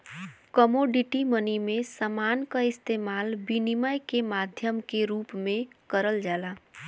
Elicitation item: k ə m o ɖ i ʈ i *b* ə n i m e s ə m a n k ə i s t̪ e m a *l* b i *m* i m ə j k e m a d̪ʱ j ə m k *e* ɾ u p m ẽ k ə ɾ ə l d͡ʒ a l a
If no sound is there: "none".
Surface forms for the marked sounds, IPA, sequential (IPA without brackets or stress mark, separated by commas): m, l, n, e